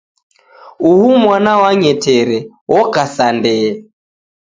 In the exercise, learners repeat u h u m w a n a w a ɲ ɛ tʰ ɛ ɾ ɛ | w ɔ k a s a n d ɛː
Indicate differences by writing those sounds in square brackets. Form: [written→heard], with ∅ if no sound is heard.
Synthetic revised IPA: u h u m w a n a w a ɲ ɛ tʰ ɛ ɾ ɛ | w ɔ k a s a n d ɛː